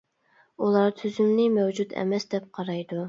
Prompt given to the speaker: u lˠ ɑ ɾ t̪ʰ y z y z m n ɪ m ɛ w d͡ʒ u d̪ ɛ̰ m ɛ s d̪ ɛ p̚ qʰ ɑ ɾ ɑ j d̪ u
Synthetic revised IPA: u lˠ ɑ ɾ t̪ʰ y z y m n ɪ m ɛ w d͡ʒ u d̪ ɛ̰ m ɛ s d̪ ɛ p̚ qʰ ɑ ɾ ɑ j d̪ u

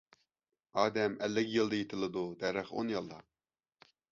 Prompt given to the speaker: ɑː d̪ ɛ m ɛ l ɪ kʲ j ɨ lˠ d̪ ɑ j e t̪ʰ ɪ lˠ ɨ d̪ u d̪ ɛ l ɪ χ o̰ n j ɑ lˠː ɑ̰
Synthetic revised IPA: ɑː d̪ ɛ m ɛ lː ɪ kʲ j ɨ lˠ d̪ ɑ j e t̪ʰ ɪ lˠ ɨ d̪ u d̪ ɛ ɾ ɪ χ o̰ n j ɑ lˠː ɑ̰

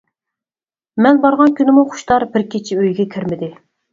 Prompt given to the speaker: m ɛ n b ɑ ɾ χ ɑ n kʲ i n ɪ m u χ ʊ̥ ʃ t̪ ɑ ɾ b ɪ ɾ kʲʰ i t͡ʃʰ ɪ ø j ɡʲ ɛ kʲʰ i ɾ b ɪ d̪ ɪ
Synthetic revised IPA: m ɛ n b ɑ ɾ ʁ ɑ n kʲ y n ɪ m u χ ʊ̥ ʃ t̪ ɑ ɾ b ɪ ɾ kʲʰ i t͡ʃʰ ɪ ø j ɡʲ ɛ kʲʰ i ɾ m ɪ d̪ ɪ

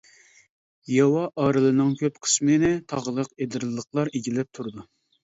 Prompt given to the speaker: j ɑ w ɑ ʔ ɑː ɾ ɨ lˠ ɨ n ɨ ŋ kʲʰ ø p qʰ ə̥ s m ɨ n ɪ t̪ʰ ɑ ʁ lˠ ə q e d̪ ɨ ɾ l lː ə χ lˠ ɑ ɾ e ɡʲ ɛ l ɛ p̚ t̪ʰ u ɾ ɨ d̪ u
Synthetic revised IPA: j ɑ w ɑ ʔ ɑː ɾ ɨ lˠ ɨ n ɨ ŋ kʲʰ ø p qʰ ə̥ s m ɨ n ɪ t̪ʰ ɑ ʁ lˠ ə q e d̪ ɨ ɾ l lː ə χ lˠ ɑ ɾ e ɡʲ i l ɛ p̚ t̪ʰ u ɾ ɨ d̪ u

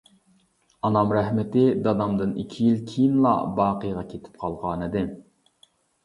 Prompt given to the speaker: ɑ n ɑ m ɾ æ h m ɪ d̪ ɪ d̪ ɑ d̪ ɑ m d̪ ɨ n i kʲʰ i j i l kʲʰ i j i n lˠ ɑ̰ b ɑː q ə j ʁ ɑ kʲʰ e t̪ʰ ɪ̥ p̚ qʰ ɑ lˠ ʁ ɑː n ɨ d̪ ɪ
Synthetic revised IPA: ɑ n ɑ m ɾ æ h m ɪ t̪ ɪ d̪ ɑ d̪ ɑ m d̪ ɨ n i kʲʰ i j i l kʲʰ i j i n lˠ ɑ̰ b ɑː q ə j ʁ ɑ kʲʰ e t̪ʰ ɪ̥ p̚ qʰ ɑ lˠ ʁ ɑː n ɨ d̪ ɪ

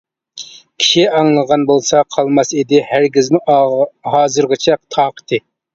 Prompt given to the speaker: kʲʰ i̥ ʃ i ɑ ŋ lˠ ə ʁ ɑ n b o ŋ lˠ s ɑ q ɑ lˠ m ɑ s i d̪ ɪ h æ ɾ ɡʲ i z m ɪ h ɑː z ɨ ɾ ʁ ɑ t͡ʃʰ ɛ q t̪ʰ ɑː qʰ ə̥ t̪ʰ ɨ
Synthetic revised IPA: kʲʰ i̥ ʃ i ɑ ŋ lˠ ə ʁ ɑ n b o lˠ s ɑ qʰ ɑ lˠ m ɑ s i d̪ ɪ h æ ɾ ɡʲ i z m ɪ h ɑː z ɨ ɾ ʁ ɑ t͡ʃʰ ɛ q t̪ʰ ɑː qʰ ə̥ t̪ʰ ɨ

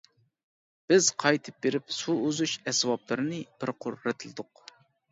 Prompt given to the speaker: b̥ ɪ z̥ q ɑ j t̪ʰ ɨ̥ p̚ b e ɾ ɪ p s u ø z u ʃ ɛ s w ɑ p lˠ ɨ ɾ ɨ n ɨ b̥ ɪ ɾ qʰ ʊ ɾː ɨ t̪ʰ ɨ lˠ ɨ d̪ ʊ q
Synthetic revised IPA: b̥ ɪ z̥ qʰ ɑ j t̪ʰ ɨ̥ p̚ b e ɾ ɪ p s u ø z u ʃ ɛ s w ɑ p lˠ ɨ ɾ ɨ n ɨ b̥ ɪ ɾ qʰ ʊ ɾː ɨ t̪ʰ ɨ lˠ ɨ d̪ ʊ q

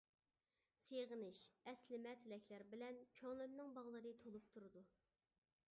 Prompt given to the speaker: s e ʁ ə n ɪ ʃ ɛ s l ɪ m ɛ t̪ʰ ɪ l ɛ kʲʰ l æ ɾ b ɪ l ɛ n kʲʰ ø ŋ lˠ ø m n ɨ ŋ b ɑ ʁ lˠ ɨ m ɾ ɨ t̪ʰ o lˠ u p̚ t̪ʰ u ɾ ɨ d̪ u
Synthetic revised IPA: s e ʁ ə n ɪ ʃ ɛ s l ɪ m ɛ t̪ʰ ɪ l ɛ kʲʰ l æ ɾ b ɪ l ɛ n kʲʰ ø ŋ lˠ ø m n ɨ ŋ b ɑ ʁ lˠ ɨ ɾ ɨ t̪ʰ o lˠ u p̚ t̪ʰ u ɾ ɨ d̪ u

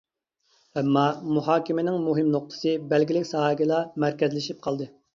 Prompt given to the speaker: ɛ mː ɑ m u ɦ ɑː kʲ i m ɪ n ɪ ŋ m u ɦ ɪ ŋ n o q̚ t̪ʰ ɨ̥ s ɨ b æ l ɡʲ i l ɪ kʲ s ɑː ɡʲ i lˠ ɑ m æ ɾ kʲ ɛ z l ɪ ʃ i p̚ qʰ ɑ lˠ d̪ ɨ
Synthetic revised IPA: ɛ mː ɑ m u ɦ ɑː kʲ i m ɪ n ɪ ŋ m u ɦ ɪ m n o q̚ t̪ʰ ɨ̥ s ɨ b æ l ɡʲ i l ɪ kʲ s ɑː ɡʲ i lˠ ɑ m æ ɾ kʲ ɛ z l ɪ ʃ i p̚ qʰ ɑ lˠ d̪ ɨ

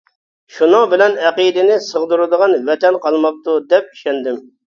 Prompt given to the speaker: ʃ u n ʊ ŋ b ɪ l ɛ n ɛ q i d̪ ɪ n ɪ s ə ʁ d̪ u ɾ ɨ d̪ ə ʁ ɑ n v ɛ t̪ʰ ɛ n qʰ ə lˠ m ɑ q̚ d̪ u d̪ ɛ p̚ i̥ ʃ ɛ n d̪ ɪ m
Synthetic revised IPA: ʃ u n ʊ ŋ b ɪ l ɛ n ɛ q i d̪ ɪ n ɪ s ə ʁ d̪ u ɾ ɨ d̪ ə ʁ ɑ n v ɛ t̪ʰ ɛ n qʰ ɑ lˠ m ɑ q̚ t̪ u d̪ ɛ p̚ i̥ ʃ ɛ n d̪ ɪ m

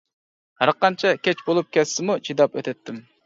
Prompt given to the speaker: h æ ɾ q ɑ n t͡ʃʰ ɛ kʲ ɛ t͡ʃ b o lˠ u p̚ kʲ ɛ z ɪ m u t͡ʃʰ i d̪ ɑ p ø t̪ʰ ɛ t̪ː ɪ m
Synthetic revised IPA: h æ ɾ q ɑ n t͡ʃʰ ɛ kʲ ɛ t͡ʃ b o lˠ u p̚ kʲ ɛ s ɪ m u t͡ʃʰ i d̪ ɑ p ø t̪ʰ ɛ t̪ː ɪ m

